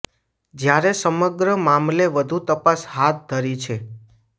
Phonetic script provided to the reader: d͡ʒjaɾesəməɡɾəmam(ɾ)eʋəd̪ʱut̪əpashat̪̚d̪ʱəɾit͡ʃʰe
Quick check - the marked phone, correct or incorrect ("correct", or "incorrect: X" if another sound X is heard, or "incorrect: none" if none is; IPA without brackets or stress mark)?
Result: incorrect: l